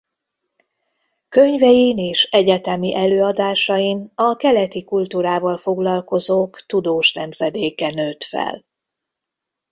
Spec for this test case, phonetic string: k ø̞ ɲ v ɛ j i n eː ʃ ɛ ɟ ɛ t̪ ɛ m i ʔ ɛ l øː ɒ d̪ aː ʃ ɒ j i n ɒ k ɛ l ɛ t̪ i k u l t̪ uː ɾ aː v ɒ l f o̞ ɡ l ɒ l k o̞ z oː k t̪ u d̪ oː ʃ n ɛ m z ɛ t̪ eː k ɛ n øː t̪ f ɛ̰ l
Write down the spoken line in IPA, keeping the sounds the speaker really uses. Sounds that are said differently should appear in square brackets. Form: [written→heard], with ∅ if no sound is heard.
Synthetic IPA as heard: k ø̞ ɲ v ɛ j i n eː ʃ ɛ ɟ ɛ t̪ ɛ m i ʔ ɛ l øː ɒ d̪ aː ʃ ɒ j i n ɒ k ɛ l ɛ t̪ i k u l t̪ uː ɾ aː v ɒ l f o̞ ɡ l ɒ l k o̞ z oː k t̪ u d̪ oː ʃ n ɛ m z ɛ [t̪→d̪] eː k ɛ n øː t̪ f ɛ̰ l